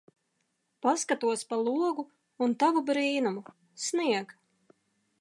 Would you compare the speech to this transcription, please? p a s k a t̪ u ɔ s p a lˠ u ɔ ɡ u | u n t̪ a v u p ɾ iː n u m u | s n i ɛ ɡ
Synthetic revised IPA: p a s k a t̪ u ɔ s p a lˠ u ɔ ɡ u | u n t̪ a v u b ɾ iː n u m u | s n i ɛ ɡ